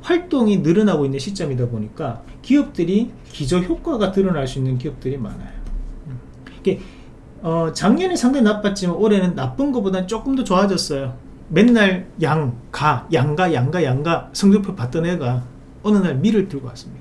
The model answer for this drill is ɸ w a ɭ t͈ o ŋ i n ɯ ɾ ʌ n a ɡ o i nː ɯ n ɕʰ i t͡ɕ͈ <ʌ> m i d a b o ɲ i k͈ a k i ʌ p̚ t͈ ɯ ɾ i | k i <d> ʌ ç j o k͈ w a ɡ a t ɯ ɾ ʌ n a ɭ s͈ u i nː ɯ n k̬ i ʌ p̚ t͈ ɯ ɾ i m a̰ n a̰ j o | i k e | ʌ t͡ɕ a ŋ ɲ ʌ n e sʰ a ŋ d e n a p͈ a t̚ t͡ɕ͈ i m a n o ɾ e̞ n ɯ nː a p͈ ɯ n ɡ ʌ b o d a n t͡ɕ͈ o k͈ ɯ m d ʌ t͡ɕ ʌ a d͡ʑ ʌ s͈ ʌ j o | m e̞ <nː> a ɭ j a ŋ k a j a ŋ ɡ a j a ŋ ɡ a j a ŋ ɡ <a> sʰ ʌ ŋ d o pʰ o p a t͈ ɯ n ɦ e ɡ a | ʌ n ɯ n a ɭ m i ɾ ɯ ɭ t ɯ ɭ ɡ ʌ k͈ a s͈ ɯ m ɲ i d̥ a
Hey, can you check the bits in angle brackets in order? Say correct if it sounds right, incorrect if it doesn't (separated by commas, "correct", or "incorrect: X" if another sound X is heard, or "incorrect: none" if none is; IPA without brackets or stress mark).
correct, incorrect: d͡ʑ, correct, correct